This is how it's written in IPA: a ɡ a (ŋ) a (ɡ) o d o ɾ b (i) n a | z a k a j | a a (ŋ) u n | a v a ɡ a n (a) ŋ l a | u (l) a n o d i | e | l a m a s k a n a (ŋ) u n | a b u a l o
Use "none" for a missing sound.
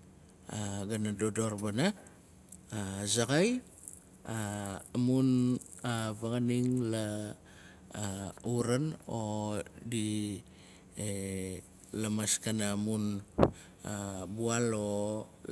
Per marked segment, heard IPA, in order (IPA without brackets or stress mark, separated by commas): n, d, a, m, i, ɾ, m